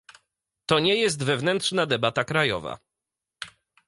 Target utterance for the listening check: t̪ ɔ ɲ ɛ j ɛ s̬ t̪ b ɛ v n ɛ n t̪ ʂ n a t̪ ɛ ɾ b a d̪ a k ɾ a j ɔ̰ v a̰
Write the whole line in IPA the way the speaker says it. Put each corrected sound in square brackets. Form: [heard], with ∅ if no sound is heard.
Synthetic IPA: t̪ ɔ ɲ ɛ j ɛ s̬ t̪ [v] ɛ v n ɛ n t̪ ʂ n a [d̪] ɛ [∅] b a [t̪] a k ɾ a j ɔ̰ v a̰

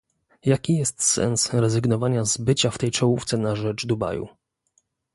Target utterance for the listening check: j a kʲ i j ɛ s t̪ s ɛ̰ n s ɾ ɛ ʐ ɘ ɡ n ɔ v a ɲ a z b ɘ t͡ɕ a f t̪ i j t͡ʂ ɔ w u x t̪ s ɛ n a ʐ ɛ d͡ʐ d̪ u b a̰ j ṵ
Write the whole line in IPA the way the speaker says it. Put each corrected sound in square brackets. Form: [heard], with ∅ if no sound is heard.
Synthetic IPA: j a kʲ i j ɛ s t̪ s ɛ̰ n s ɾ ɛ [z] ɘ ɡ n ɔ v a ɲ a z b ɘ t͡ɕ a f t̪ [ɛ] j t͡ʂ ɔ w u [f] t̪ s ɛ n a ʐ ɛ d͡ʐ d̪ u b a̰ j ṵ

